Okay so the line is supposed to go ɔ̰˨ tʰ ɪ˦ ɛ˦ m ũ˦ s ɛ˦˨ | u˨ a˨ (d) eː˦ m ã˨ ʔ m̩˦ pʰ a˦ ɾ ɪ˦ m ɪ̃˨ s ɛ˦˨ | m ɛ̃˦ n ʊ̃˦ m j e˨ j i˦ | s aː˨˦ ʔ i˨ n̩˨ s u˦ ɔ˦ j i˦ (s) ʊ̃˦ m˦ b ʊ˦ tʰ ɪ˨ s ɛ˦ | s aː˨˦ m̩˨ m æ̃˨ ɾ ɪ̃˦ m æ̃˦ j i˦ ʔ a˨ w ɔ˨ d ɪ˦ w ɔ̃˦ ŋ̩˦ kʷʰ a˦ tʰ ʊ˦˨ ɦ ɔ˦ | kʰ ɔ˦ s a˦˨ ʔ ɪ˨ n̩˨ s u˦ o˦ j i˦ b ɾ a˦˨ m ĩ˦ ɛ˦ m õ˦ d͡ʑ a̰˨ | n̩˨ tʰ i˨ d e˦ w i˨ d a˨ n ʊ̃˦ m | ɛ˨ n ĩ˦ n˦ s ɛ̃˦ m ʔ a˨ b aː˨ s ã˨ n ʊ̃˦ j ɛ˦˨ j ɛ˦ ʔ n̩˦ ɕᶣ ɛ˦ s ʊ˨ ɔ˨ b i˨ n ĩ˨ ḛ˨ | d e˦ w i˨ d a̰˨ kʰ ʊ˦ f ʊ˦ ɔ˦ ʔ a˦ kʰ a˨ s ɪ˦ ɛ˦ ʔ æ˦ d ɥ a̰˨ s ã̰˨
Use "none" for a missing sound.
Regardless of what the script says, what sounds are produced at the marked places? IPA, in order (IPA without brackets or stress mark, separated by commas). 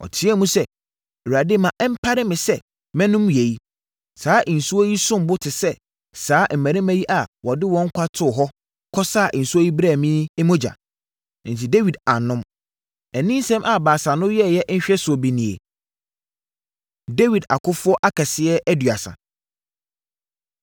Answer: d, s